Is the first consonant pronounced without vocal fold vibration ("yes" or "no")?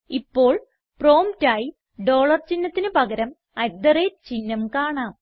yes